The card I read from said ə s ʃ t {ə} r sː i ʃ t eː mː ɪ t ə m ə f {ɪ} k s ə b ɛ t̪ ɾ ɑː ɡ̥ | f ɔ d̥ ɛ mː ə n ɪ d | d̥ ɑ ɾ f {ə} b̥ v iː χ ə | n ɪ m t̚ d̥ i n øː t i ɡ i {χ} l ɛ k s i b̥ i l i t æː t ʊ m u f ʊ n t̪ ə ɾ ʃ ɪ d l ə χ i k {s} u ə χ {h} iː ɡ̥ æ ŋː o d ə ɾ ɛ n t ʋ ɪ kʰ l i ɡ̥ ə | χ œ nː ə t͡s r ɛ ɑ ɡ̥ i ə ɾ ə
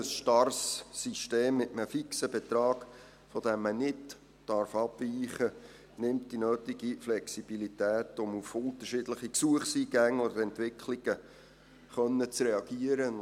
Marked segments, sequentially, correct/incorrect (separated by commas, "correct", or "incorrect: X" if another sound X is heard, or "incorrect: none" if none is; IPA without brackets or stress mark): incorrect: ɑ, incorrect: i, incorrect: ɑ, incorrect: f, correct, incorrect: s